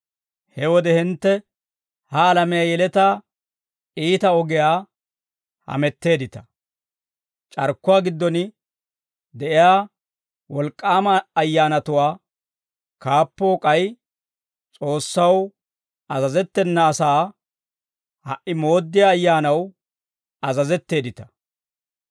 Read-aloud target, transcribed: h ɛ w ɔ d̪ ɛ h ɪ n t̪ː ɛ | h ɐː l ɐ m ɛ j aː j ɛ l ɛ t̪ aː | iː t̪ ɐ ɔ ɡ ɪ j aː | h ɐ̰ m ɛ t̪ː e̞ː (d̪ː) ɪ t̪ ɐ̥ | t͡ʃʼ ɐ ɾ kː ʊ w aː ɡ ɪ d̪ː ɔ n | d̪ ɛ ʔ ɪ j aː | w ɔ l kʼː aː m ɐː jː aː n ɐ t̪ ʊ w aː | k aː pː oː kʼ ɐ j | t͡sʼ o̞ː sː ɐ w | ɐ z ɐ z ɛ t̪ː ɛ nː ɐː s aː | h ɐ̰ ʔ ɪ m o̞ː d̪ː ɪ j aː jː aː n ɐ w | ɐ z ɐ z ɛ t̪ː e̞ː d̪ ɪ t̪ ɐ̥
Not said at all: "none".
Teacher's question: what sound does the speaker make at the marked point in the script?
d̪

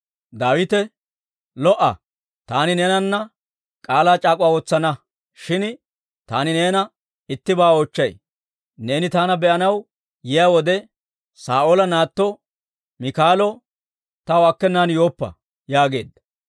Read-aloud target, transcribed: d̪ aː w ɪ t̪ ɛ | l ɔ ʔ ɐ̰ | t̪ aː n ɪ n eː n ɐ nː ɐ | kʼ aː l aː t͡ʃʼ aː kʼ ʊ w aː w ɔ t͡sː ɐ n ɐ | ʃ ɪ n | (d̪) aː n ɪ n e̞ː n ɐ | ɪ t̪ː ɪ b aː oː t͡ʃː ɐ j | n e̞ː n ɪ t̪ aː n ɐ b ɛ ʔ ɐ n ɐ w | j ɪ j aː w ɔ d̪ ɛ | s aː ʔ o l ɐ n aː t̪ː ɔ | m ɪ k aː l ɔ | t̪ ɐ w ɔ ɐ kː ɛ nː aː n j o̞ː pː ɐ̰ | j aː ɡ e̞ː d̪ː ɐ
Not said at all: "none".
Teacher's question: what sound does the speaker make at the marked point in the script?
t̪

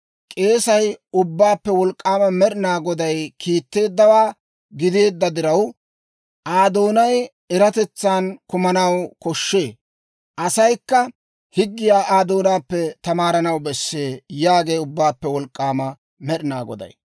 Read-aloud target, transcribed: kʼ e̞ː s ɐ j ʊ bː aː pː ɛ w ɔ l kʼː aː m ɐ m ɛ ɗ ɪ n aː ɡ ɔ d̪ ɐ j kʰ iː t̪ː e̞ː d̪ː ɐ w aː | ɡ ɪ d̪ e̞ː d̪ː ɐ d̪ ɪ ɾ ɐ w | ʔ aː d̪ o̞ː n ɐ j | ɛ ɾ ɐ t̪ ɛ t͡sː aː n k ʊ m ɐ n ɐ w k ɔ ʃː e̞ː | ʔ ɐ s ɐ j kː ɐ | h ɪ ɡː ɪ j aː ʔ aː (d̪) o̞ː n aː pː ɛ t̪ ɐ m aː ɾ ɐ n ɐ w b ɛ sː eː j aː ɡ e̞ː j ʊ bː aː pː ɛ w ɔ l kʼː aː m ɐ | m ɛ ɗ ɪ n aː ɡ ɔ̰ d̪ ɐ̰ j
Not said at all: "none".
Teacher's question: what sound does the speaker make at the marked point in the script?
d̪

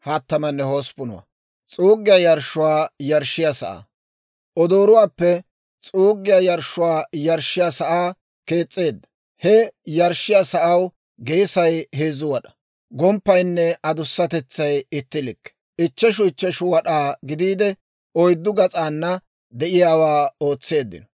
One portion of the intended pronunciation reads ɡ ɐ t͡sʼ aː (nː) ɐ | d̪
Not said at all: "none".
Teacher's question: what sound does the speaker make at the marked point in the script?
nː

